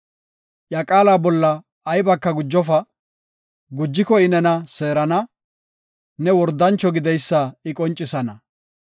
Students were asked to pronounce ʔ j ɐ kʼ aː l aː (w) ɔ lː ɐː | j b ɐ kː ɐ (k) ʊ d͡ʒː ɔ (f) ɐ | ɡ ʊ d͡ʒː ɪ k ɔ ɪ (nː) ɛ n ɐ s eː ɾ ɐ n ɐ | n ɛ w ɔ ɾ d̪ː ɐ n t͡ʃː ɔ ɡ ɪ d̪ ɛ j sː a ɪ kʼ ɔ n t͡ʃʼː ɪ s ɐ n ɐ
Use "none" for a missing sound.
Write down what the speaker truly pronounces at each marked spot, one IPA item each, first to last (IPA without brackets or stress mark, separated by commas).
b, ɡ, f, n